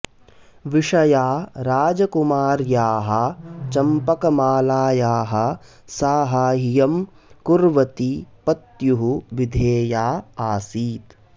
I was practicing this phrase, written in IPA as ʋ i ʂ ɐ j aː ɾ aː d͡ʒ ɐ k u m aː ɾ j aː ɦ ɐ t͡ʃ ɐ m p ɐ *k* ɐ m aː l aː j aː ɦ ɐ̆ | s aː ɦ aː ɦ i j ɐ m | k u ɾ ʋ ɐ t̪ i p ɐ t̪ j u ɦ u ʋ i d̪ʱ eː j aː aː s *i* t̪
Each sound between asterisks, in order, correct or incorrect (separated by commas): correct, incorrect